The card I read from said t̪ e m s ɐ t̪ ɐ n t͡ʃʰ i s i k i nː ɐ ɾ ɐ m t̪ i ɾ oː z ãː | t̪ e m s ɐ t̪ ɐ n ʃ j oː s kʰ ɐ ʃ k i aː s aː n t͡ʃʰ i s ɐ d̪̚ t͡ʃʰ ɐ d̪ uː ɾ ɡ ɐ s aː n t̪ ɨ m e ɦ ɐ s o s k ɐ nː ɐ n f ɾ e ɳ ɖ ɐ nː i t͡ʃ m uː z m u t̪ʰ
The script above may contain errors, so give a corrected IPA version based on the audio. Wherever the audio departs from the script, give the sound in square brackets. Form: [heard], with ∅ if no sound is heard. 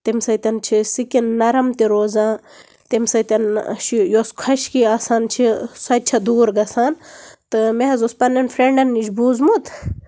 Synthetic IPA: t̪ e m s ɐ t̪ ɐ n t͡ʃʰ i s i k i nː ɐ ɾ ɐ m t̪ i ɾ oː z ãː | t̪ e m s ɐ t̪ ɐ n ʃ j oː s kʰ ɐ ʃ k i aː s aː n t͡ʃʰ i s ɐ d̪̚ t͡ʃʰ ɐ d̪ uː ɾ ɡ ɐ s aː n t̪ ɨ m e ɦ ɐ [z] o s [p] ɐ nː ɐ n f ɾ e ɳ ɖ ɐ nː i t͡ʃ [b] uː z m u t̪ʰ

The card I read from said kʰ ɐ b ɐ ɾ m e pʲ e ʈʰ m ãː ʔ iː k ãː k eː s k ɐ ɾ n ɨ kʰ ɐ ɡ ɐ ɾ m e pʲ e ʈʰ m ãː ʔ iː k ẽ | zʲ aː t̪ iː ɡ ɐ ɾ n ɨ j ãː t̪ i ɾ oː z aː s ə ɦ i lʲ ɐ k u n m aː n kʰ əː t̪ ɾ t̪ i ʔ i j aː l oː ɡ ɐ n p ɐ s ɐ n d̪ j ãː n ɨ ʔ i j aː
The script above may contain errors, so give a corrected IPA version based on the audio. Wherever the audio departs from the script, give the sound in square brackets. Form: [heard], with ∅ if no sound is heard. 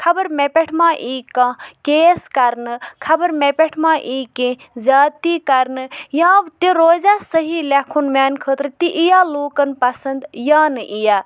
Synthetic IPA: kʰ ɐ b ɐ ɾ m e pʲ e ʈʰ m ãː ʔ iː k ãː k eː s k ɐ ɾ n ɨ kʰ ɐ [b] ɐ ɾ m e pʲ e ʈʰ m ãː ʔ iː k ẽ | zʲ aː t̪ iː [k] ɐ ɾ n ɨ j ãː t̪ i ɾ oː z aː s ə ɦ i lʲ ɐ [kʰ] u n m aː n kʰ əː t̪ ɾ t̪ i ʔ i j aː l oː [k] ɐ n p ɐ s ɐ n d̪ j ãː n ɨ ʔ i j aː

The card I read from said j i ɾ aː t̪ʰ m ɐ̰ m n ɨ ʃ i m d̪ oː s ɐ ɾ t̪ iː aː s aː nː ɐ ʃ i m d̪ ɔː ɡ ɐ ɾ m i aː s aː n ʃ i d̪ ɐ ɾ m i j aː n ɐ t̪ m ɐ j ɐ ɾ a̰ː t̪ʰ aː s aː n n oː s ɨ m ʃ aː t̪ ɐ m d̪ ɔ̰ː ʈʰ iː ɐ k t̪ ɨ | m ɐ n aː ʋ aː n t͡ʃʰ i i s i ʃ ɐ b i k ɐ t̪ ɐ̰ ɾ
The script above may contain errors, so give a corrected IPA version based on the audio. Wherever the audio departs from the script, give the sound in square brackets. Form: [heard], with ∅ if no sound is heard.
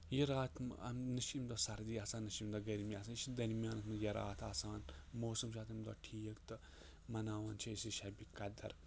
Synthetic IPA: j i ɾ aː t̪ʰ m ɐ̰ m n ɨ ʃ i m d̪ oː s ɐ ɾ [d̪] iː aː s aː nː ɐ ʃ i m d̪ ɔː ɡ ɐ ɾ m i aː s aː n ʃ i d̪ ɐ ɾ m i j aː n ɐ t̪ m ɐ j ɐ ɾ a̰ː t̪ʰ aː s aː n [m] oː s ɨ m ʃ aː t̪ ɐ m d̪ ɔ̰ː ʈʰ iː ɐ k t̪ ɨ | m ɐ n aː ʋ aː n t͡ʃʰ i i s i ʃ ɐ b i k ɐ [d̪] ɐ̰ ɾ

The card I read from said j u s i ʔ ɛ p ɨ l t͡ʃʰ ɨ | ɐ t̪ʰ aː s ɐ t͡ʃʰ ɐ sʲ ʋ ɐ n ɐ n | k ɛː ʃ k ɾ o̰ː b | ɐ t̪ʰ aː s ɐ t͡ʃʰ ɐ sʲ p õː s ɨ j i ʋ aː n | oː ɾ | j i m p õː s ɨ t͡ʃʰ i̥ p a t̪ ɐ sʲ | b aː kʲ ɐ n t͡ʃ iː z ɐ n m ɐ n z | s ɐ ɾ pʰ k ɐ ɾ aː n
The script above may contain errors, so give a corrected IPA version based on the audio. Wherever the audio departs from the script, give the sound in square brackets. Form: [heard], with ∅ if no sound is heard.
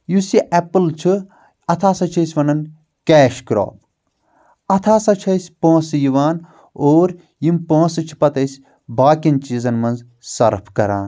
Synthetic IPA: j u s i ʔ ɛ p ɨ l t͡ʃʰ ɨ | ɐ t̪ʰ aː s ɐ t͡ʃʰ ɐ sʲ ʋ ɐ n ɐ n | k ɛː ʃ k ɾ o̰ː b | ɐ t̪ʰ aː s ɐ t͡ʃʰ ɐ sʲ p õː s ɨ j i ʋ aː n | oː ɾ | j i m p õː s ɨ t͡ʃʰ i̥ p [ɐ] t̪ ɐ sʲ | b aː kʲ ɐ n t͡ʃ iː z ɐ n m ɐ n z | s ɐ ɾ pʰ k ɐ ɾ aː n

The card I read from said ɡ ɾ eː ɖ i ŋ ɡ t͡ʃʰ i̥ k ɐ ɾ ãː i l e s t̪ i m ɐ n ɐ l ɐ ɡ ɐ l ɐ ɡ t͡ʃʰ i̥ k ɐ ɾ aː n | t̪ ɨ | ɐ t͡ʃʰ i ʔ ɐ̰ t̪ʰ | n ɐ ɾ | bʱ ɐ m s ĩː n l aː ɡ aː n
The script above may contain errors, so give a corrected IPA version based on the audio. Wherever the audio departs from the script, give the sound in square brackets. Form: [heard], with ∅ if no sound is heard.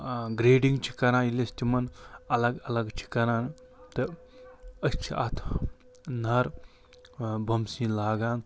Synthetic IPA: ɡ ɾ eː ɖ i ŋ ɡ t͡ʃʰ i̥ k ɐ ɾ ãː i l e s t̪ i m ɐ n ɐ l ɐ ɡ ɐ l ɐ ɡ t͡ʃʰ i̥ k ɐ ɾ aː n | t̪ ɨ | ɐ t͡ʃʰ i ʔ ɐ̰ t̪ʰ | n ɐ ɾ | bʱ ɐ m s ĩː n l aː ɡ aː n

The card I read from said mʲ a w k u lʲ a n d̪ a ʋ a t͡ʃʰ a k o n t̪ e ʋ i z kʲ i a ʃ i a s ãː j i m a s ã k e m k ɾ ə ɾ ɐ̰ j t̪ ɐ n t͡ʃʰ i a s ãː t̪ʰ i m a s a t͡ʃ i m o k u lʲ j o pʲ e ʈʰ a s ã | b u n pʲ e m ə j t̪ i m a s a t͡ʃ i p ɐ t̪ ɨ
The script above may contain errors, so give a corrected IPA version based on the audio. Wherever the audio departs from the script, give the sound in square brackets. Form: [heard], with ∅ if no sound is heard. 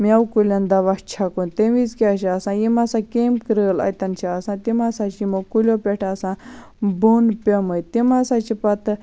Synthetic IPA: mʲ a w k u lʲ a n d̪ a ʋ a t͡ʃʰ a k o n t̪ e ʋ i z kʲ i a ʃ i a s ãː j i m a s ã k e m k ɾ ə [l] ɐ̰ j t̪ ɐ n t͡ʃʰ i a s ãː [t̪] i m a s a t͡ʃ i m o k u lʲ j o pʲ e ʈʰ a s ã | b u n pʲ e m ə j t̪ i m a s a t͡ʃ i p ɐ t̪ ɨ

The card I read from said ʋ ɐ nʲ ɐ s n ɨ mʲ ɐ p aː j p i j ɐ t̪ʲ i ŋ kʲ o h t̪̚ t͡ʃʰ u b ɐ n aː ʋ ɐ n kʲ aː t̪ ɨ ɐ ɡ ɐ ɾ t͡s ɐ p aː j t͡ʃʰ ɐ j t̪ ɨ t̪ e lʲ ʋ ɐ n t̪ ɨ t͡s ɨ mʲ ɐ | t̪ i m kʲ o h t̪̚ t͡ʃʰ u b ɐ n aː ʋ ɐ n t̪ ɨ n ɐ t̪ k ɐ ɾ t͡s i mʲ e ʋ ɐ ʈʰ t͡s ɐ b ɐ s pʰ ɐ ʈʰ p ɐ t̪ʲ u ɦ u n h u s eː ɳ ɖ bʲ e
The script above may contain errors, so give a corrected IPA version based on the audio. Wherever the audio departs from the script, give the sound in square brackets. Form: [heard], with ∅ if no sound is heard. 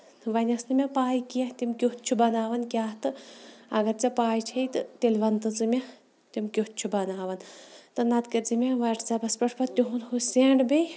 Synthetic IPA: ʋ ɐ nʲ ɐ s n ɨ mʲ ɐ p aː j [k] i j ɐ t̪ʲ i [m] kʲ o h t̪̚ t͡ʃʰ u b ɐ n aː ʋ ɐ n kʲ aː t̪ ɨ ɐ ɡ ɐ ɾ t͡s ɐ p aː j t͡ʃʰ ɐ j t̪ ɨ t̪ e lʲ ʋ ɐ n t̪ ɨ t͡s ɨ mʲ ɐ | t̪ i m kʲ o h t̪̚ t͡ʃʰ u b ɐ n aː ʋ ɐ n t̪ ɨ n ɐ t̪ k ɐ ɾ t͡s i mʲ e ʋ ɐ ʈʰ t͡s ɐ b ɐ s [p] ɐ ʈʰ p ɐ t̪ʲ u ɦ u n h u s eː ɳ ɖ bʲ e

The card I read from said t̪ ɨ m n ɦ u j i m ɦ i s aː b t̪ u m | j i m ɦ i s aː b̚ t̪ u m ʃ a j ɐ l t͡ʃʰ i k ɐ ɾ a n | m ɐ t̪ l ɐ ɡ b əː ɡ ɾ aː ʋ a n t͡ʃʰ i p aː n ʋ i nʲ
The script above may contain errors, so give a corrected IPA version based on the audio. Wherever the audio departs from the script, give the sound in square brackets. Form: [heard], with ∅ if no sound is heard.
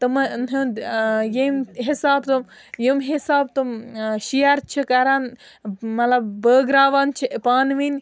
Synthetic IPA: t̪ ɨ m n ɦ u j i m ɦ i s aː b t̪ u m | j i m ɦ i s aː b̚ t̪ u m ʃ [i] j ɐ [ɾ] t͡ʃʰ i k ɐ ɾ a n | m ɐ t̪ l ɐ [b] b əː ɡ ɾ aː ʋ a n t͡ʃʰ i p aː n ʋ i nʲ

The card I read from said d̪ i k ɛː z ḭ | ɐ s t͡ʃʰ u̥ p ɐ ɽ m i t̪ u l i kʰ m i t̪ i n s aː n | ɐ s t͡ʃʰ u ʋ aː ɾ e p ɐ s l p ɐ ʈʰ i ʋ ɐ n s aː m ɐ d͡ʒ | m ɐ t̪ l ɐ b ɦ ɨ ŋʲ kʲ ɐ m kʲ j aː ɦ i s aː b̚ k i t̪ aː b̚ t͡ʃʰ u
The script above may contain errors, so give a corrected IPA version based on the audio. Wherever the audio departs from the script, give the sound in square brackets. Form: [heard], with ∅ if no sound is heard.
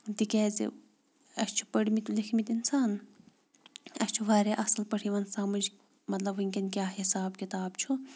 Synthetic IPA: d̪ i k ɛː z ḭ | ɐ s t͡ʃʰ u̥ p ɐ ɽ m i t̪ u l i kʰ m i t̪ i n s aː n | ɐ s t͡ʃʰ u ʋ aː ɾ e [ʔ] ɐ s l p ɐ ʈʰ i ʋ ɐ n s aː m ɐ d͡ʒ | m ɐ t̪ l ɐ b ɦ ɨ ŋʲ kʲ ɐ [n] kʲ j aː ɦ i s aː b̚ k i t̪ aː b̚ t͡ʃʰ u

